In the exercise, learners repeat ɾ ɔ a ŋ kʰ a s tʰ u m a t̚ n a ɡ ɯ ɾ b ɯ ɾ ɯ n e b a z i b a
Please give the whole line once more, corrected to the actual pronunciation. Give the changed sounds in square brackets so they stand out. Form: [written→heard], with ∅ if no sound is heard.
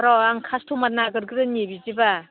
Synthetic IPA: ɾ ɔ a ŋ kʰ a s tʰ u m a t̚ n a ɡ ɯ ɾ [b→ɡ] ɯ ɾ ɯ n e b [a→i] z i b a

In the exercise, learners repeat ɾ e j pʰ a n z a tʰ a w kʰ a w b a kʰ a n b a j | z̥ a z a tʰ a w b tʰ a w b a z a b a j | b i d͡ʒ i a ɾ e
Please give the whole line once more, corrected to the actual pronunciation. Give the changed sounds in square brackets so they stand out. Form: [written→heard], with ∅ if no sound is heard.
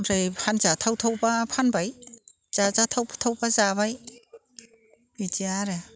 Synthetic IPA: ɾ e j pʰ a n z a tʰ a w [kʰ→tʰ] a w b a [kʰ→pʰ] a n b a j | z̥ a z a tʰ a w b tʰ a w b a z a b a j | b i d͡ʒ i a ɾ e

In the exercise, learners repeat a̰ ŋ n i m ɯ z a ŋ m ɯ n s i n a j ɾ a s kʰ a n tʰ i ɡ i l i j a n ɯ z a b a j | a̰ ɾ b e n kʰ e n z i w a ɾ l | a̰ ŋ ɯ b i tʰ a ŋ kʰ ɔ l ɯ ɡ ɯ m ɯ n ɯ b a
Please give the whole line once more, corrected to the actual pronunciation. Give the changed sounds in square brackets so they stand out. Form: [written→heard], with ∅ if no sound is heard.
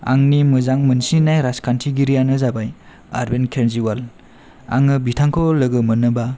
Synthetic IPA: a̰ ŋ n i m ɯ z a ŋ m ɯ n s i n a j ɾ a s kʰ a n tʰ i ɡ i [l→ɾ] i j a n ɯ z a b a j | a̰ ɾ b e n kʰ e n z i w a [ɾ→∅] l | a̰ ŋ ɯ b i tʰ a ŋ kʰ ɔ l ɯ ɡ ɯ m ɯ n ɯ b a

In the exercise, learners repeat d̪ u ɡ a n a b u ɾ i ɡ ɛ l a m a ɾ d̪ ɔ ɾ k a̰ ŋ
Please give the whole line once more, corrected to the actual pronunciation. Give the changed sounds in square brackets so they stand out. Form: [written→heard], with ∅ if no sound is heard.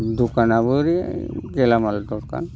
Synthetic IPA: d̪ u [ɡ→k] a n a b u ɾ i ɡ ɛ l a m a [ɾ→l] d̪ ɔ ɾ k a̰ [ŋ→n]

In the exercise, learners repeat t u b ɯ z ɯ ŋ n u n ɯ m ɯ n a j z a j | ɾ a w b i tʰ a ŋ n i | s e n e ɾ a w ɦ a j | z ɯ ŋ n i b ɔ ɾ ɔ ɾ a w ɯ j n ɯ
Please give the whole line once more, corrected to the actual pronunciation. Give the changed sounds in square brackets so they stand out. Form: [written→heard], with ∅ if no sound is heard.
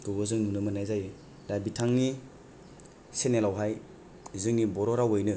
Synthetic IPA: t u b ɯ z ɯ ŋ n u n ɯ m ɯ n a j z a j | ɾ a [w→∅] b i tʰ a ŋ n i | s e n e [ɾ→l] a w ɦ a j | z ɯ ŋ n i b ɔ ɾ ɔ ɾ a w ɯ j n ɯ

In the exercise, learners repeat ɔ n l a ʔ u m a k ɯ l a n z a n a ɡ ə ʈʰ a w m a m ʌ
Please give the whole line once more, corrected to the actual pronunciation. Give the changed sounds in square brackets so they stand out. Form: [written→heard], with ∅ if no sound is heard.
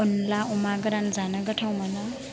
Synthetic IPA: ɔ n l a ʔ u m a [k→ɡ] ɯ [l→ɾ] a n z a n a ɡ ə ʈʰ a w m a [m→n] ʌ

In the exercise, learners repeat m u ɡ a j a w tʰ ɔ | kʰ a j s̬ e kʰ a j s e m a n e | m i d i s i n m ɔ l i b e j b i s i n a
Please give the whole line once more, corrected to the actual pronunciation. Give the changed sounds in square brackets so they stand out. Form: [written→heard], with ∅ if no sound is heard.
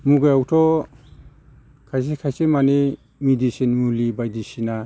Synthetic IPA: m u ɡ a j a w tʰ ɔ | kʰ a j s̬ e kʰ a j s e m a n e | m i d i s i n m [ɔ→u] l i b [e→a] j [b→d] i s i n a

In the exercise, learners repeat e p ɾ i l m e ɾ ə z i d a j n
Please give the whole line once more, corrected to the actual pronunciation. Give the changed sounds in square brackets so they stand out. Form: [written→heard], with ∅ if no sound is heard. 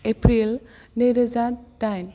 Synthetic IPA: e p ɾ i l [m→n] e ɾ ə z [i→a] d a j n

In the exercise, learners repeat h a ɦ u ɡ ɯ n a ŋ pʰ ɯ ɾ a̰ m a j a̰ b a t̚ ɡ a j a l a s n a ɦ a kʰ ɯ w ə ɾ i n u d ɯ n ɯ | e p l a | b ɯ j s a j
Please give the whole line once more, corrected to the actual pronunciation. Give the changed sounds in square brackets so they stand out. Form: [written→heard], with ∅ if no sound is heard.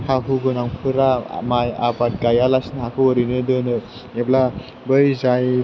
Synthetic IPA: h a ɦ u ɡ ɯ n a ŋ pʰ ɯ ɾ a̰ m a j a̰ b a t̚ ɡ a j a l a s n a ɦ a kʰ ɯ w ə ɾ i n [u→ɯ] d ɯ n ɯ | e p l a | b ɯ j [s→z] a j

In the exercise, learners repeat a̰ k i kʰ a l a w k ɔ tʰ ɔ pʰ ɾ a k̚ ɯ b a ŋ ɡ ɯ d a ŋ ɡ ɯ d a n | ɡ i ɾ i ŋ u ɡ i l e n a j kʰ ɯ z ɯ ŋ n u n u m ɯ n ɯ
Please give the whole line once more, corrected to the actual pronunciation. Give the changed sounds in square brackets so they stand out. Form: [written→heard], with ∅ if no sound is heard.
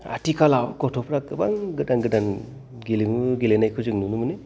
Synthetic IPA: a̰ [k→t] i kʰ a l a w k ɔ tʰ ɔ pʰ ɾ a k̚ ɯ b a ŋ ɡ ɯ d a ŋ ɡ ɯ d a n | ɡ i [ɾ→l] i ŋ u ɡ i l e n a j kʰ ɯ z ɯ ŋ n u n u m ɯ n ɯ

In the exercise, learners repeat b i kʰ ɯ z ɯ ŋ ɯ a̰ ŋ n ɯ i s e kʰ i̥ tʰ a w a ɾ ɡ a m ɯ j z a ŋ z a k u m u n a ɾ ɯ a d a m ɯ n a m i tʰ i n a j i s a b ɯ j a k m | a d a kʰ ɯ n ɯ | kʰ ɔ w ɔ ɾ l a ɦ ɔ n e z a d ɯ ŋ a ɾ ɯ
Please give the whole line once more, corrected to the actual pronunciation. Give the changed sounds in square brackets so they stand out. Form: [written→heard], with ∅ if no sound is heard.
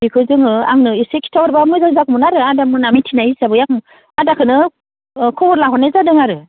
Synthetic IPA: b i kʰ ɯ z ɯ ŋ ɯ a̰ ŋ n ɯ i s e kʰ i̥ tʰ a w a ɾ [ɡ→b] a m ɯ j z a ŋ z a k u m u n a ɾ ɯ a d a m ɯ n a m i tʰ i n a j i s a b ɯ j a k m | a d a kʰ ɯ n ɯ | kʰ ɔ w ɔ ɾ l a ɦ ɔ n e z a d ɯ ŋ a ɾ ɯ

